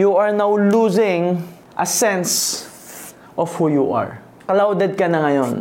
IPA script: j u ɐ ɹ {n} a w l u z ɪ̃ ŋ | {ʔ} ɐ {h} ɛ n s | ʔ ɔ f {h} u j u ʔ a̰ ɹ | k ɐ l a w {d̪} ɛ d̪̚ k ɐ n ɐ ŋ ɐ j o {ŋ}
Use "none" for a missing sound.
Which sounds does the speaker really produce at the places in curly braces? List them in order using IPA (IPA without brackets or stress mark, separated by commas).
n, ʔ, s, h, d̪, n